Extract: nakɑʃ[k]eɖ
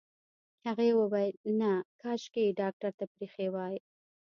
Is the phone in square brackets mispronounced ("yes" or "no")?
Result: no